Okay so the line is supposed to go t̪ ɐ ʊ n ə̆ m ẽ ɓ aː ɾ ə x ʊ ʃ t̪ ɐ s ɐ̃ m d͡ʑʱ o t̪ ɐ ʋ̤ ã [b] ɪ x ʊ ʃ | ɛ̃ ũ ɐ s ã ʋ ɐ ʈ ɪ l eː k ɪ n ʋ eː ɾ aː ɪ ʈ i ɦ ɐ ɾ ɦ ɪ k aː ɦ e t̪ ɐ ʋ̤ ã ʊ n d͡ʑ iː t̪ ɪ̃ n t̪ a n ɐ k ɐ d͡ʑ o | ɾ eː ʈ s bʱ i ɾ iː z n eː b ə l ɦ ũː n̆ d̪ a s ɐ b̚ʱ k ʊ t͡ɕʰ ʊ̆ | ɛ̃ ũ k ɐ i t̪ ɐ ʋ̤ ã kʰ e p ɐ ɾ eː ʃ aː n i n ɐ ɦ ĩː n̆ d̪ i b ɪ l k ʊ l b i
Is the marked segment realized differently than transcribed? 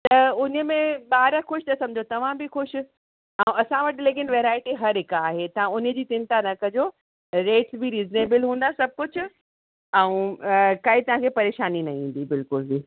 no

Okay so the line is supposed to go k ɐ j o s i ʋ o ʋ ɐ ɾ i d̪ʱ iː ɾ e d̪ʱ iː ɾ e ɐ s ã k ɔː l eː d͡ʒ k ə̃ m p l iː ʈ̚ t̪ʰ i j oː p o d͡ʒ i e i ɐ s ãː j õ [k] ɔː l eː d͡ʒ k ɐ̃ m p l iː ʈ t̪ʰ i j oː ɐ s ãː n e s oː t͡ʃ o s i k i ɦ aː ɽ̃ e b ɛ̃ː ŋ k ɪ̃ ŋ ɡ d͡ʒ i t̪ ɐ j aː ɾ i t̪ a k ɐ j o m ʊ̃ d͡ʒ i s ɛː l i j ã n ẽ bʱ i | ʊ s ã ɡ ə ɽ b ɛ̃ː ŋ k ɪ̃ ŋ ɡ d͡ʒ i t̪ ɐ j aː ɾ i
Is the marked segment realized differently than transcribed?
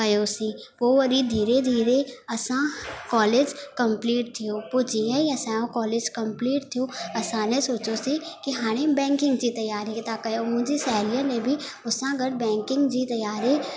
no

